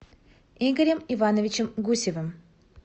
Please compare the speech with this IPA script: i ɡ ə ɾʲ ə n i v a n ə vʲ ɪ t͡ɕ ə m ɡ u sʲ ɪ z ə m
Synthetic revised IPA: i ɡ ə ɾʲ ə m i v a n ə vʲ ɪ t͡ɕ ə m ɡ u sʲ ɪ v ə m